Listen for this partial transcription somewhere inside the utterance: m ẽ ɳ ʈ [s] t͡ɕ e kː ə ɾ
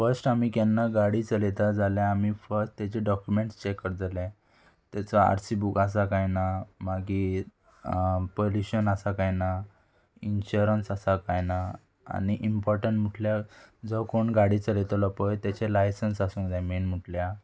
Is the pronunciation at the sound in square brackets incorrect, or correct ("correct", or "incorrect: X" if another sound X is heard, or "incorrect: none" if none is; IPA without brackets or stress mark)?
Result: correct